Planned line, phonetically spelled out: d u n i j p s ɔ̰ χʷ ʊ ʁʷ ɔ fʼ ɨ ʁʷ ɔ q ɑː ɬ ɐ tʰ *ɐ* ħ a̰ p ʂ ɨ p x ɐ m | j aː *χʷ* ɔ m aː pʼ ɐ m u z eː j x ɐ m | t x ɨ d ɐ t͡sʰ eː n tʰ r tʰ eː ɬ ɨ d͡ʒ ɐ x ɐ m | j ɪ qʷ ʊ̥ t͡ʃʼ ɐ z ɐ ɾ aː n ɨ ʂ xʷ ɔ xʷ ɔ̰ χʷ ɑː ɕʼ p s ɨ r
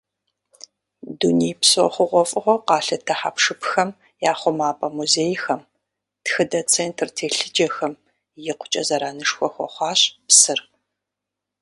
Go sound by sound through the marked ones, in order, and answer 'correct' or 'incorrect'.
correct, correct

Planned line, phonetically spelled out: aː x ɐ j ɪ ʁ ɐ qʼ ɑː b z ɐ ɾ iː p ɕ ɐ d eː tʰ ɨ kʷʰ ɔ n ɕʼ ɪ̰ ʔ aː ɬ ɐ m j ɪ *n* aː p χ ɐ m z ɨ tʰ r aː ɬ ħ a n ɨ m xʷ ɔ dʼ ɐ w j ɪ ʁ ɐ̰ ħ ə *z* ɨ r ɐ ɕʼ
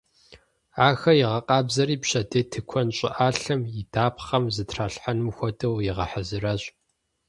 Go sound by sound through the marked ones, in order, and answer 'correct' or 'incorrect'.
incorrect, correct

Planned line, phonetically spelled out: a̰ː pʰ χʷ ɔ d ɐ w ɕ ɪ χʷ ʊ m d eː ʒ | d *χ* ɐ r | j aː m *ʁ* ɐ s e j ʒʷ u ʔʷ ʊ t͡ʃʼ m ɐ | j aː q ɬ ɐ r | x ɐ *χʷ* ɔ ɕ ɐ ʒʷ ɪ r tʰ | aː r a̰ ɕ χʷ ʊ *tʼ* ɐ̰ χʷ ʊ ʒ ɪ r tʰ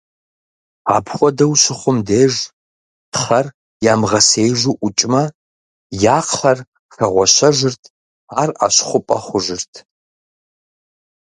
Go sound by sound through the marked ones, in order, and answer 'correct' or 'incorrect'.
correct, correct, incorrect, incorrect

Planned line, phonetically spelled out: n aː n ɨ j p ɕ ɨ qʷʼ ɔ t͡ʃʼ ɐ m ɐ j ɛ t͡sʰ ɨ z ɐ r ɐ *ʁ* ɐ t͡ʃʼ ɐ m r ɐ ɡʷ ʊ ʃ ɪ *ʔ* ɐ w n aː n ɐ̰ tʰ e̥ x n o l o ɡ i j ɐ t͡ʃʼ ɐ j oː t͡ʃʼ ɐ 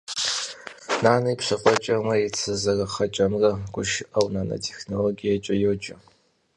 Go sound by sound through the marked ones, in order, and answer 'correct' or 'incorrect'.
incorrect, correct

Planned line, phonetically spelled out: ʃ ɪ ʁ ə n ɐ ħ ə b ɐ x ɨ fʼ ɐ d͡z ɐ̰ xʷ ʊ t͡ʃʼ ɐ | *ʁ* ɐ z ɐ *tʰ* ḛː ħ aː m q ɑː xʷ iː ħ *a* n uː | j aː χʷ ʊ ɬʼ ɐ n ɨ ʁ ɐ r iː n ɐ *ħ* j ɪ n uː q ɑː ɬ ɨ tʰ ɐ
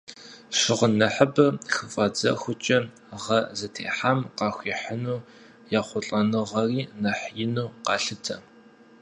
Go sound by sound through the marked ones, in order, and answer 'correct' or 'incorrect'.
correct, correct, incorrect, correct

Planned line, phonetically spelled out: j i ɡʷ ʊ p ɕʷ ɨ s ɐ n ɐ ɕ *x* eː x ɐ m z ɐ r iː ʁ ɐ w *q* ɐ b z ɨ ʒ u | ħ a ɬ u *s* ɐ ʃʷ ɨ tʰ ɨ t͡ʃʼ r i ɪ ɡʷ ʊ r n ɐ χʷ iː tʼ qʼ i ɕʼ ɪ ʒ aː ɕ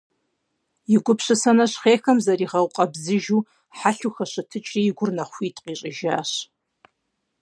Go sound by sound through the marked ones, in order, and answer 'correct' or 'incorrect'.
incorrect, incorrect, incorrect

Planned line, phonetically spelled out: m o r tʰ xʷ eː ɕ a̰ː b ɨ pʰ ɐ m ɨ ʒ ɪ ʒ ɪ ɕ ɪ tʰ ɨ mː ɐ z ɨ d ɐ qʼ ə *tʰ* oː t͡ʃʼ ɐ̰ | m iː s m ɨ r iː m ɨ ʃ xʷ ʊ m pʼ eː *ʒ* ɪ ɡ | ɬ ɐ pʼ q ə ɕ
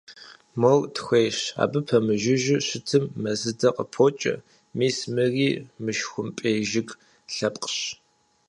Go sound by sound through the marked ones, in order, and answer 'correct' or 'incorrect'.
incorrect, correct

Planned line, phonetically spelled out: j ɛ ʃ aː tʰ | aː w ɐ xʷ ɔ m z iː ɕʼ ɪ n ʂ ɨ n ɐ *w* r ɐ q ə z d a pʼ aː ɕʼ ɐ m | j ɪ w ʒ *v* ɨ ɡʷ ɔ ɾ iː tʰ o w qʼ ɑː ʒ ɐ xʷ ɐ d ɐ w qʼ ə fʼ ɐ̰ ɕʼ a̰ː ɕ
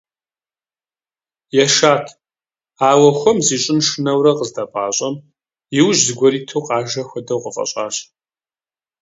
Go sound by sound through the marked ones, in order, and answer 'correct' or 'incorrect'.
correct, incorrect

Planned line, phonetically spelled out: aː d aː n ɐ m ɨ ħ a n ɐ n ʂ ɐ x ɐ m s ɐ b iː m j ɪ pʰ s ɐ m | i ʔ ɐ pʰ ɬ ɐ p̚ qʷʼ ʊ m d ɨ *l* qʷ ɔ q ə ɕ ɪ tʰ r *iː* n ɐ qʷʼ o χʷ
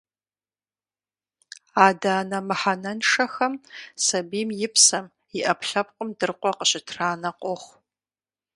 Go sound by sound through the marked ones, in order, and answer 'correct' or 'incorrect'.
incorrect, incorrect

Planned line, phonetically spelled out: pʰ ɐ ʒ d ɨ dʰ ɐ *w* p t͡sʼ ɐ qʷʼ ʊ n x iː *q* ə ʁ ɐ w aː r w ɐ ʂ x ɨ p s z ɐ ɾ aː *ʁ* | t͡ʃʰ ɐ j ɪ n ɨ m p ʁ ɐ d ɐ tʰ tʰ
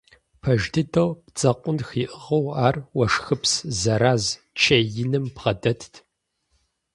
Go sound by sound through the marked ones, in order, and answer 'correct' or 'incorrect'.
correct, incorrect, incorrect

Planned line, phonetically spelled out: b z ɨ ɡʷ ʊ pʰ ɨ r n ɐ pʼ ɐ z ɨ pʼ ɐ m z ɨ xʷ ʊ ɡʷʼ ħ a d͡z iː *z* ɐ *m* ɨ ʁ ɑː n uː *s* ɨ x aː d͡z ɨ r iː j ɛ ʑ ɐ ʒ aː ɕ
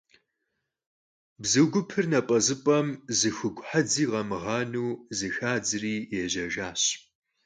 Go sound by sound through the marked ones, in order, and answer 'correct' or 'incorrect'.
incorrect, correct, incorrect

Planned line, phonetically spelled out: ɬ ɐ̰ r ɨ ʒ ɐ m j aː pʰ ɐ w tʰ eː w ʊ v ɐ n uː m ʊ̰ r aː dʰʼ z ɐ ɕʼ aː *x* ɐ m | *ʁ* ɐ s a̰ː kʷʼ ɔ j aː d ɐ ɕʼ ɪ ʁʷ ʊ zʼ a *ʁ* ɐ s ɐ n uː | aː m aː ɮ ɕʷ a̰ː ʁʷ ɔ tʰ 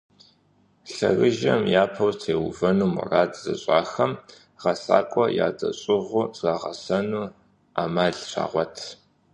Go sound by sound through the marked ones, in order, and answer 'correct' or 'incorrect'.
correct, correct, correct

